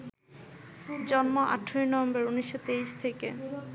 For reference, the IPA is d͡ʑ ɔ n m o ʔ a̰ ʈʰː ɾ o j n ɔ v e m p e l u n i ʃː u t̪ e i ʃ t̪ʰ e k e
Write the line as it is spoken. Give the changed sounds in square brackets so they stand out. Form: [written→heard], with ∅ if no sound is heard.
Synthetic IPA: d͡ʑ ɔ n m o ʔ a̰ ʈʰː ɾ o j n ɔ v e m [p→b] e [l→ɾ] u n i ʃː [u→o] t̪ e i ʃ t̪ʰ e k e